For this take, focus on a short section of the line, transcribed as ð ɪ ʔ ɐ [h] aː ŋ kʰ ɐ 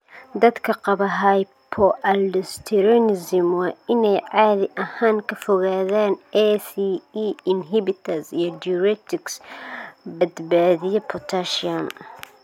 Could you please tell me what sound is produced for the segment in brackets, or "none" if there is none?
h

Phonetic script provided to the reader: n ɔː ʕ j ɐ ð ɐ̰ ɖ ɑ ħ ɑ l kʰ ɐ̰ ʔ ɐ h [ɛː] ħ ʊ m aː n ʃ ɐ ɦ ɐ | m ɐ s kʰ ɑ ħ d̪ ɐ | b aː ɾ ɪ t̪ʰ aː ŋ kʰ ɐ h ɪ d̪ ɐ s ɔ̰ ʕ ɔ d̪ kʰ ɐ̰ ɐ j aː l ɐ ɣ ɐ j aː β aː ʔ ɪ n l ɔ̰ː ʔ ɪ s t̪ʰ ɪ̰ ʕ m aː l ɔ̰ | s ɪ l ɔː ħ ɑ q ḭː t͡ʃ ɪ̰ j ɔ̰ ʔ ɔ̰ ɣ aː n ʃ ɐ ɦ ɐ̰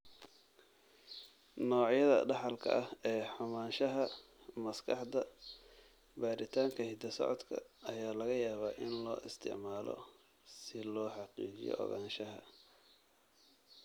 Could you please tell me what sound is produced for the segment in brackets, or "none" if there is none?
ɛː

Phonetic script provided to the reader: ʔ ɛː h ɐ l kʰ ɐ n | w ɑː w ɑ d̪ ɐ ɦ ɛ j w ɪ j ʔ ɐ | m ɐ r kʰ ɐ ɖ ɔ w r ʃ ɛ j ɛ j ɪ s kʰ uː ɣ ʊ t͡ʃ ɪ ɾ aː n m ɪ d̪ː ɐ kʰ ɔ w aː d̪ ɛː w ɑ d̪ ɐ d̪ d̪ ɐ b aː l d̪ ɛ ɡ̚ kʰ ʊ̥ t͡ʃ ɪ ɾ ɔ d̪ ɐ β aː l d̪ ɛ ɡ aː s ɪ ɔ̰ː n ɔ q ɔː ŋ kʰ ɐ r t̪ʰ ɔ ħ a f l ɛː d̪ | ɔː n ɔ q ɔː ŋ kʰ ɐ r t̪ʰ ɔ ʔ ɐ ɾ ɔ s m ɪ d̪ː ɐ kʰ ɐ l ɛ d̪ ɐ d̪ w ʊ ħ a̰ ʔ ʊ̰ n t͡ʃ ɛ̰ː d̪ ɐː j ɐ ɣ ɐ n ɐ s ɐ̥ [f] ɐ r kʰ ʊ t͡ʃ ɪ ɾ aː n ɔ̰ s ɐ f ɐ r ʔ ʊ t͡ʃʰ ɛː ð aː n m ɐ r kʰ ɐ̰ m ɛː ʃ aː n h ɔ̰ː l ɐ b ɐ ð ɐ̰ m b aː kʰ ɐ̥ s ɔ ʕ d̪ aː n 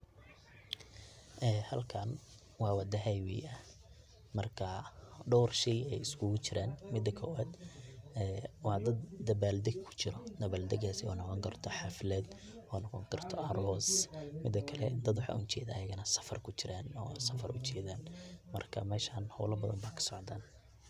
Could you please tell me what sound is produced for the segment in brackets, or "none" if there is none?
f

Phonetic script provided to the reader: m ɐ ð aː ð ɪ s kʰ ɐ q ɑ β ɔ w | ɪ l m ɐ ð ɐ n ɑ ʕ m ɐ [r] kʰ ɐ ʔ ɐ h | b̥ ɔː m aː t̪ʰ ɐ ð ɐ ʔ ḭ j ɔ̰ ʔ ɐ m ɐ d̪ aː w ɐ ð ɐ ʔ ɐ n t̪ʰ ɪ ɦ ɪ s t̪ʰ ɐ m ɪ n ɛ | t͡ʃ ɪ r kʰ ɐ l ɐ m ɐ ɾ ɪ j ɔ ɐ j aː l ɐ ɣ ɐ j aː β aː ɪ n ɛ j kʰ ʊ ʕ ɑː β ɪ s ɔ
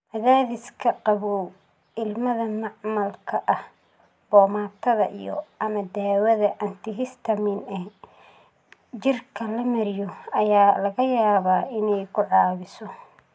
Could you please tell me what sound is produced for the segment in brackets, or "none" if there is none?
l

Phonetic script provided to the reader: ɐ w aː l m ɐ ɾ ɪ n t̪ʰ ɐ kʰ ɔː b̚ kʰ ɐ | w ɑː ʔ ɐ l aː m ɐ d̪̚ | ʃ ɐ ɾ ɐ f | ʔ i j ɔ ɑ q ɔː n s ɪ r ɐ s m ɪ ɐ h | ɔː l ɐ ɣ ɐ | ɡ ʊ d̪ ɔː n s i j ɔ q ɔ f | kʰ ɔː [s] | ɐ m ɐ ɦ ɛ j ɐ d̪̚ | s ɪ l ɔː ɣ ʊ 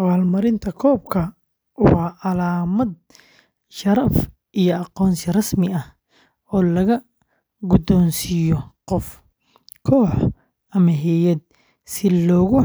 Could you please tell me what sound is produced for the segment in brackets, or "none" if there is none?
ħ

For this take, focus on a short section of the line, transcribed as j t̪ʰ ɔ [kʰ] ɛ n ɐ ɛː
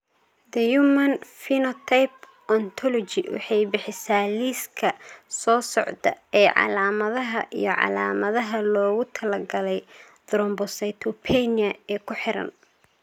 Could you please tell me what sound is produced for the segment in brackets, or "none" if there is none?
pʰ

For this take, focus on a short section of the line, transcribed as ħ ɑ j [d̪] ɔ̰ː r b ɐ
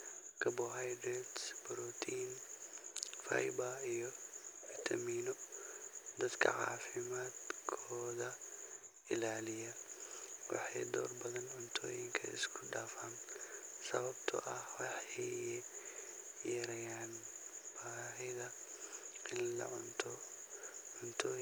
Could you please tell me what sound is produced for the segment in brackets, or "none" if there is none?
d̪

